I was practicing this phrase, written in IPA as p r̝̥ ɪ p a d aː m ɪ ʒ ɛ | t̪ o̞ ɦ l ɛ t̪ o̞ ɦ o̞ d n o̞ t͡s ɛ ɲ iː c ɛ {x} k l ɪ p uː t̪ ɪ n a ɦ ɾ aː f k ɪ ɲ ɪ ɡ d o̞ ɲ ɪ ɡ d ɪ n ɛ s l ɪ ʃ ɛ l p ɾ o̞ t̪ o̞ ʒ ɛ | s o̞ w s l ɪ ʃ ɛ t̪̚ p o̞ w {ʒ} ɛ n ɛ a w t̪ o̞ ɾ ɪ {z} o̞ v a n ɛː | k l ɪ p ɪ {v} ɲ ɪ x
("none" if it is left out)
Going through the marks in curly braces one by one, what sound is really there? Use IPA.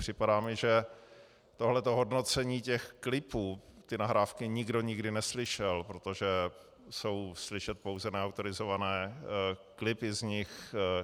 x, z, z, z

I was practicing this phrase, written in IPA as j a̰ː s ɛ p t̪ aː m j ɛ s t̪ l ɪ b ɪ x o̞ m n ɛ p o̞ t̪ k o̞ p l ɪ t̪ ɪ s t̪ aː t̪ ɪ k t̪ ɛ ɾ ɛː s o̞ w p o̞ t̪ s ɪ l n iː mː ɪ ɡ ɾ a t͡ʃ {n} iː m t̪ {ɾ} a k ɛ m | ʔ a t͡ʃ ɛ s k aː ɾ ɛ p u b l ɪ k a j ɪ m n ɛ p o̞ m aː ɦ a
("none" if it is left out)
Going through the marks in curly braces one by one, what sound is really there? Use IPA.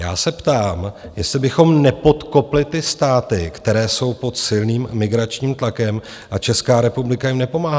ɲ, l

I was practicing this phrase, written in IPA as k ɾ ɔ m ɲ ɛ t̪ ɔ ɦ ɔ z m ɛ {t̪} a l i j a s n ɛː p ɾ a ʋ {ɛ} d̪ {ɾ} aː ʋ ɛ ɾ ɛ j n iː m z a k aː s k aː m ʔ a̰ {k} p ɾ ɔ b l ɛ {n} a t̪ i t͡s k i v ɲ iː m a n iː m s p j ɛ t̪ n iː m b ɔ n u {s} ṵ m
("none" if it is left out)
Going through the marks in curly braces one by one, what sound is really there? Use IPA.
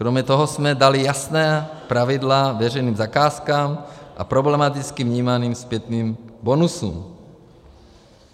d̪, i, l, none, m, s

